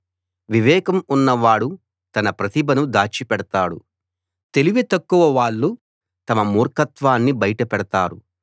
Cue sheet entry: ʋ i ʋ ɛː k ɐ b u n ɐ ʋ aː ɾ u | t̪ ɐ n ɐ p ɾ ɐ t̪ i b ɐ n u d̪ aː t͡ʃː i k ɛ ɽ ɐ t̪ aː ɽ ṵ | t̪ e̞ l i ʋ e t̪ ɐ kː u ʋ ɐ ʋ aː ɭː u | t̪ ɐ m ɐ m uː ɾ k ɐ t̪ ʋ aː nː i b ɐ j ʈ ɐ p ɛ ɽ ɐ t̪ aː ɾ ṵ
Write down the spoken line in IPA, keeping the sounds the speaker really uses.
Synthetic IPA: ʋ i ʋ ɛː k ɐ m u nː ɐ ʋ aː ɽ u | t̪ ɐ n ɐ p ɾ ɐ t̪ i b ɐ n u d̪ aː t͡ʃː i p ɛ ɽ ɐ t̪ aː ɽ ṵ | t̪ e̞ l i ʋ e t̪ ɐ kː u ʋ ɐ ʋ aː ɭː u | t̪ ɐ m ɐ m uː ɾ k ɐ t̪ ʋ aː nː i b ɐ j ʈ ɐ p ɛ ɽ ɐ t̪ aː ɾ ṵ

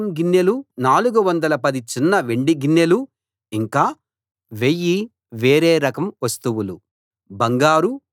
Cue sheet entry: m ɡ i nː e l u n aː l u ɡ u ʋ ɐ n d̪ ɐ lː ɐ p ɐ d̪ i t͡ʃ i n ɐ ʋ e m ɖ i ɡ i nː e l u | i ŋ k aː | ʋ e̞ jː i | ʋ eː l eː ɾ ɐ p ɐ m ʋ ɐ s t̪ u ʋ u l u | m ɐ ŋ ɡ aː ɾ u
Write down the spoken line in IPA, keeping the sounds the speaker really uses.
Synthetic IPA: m ɡ i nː e l u n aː l u ɡ u ʋ ɐ n d̪ ɐ l ɐ p ɐ d̪ i t͡ʃ i nː ɐ ʋ e ɳ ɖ i ɡ i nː e l u | i ŋ k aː | ʋ e̞ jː i | ʋ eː ɾ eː ɾ ɐ k ɐ m ʋ ɐ s t̪ u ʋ u l u | b ɐ ŋ ɡ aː ɾ u

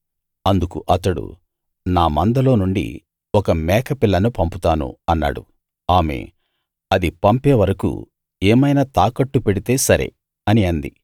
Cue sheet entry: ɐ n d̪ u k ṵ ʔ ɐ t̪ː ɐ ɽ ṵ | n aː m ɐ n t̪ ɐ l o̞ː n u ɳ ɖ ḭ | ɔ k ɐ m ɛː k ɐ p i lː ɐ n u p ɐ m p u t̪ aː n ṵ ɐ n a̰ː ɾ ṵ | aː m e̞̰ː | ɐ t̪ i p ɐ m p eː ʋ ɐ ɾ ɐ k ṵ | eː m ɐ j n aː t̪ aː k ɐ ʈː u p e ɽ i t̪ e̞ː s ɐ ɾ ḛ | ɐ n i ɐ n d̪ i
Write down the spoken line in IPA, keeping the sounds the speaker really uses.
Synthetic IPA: ɐ n d̪ u k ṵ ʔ ɐ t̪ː ɐ ɽ ṵ | n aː m ɐ n d̪ ɐ l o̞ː n u ɳ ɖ ḭ | ɔ k ɐ m ɛː k ɐ p i lː ɐ n u p ɐ m p u t̪ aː n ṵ ɐ nː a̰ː ɽ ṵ | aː m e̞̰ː | ɐ d̪ i p ɐ m p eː ʋ ɐ ɾ ɐ k ṵ | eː m ɐ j n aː t̪ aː k ɐ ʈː u p e ɽ i t̪ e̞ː s ɐ ɾ ḛ | ɐ n i ɐ n d̪ i

